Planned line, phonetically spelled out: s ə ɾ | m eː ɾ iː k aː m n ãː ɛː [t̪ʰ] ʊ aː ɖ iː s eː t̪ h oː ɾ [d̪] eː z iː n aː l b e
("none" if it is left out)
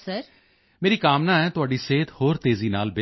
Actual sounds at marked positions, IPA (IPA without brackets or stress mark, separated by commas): t̪, t̪